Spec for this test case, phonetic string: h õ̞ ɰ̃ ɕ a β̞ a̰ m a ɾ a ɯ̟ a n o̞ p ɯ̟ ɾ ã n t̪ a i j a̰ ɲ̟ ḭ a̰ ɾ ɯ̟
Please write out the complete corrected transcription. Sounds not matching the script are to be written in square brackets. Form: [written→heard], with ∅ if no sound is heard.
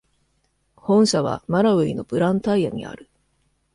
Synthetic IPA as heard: h õ̞ ɰ̃ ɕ a β̞ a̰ m a ɾ a ɯ̟ [a→i] n o̞ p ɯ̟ ɾ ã n t̪ a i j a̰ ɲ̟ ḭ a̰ ɾ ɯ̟